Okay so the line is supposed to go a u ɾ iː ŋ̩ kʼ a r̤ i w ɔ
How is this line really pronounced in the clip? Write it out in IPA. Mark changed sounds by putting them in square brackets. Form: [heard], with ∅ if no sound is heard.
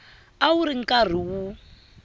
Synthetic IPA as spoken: a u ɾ [i] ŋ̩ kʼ a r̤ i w [u]